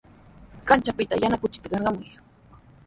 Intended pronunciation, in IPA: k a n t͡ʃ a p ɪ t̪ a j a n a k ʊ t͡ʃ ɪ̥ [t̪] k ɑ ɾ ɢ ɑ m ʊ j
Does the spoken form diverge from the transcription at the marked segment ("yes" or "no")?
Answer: no